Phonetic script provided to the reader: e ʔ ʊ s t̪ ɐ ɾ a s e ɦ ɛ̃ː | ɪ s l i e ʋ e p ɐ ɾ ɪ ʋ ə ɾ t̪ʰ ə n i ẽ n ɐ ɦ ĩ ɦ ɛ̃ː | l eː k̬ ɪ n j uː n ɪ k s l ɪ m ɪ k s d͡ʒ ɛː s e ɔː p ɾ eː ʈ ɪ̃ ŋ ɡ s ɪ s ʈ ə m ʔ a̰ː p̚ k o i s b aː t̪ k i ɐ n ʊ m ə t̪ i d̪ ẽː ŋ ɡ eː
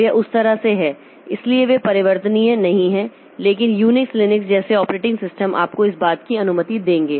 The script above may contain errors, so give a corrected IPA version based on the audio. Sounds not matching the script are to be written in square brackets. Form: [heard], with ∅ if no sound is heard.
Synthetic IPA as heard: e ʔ ʊ s t̪ ɐ ɾ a s e ɦ [ɛː] | ɪ s l i e ʋ e p ɐ ɾ ɪ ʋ ə ɾ [t̪] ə n i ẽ n ɐ ɦ ĩ ɦ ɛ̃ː | l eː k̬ ɪ n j uː n ɪ k s l ɪ [n] ɪ k s d͡ʒ ɛː s e ɔː p ɾ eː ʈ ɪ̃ ŋ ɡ s ɪ s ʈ ə m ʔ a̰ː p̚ k o [ɪ] s b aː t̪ k i ɐ n ʊ m ə t̪ i d̪ ẽː ŋ ɡ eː